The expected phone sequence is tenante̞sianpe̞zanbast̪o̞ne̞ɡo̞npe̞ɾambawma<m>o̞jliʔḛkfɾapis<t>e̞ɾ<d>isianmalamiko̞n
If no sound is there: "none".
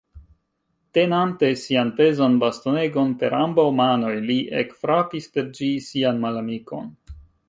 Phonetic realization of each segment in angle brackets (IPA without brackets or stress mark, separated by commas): n, p, d͡ʒ